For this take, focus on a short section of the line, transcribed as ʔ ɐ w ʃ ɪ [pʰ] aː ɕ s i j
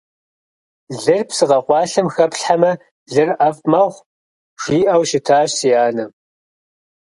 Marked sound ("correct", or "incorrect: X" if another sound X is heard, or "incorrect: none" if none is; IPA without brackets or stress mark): incorrect: tʰ